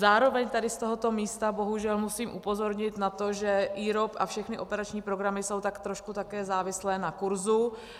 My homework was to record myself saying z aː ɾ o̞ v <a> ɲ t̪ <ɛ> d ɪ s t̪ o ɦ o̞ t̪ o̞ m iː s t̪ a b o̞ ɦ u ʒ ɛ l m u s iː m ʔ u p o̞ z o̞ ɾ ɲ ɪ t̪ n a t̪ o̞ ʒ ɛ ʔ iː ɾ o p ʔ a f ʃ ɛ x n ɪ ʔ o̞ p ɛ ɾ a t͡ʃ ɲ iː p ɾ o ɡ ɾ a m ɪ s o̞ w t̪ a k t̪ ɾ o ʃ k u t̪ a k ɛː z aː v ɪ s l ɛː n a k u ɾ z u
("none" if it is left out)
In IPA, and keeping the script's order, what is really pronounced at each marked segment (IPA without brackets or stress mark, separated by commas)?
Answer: ɛ, a